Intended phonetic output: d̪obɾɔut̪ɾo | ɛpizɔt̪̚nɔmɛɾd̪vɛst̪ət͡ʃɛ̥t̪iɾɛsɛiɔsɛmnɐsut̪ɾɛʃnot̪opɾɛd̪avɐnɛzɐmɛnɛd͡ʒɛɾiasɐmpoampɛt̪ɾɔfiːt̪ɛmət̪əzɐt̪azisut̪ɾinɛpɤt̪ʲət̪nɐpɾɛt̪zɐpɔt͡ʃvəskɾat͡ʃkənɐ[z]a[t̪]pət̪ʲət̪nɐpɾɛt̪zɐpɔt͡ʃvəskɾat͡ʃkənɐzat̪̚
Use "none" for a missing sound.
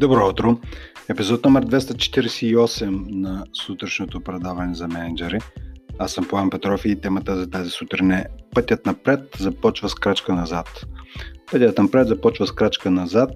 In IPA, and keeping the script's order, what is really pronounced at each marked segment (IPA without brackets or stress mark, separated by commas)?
z, t̪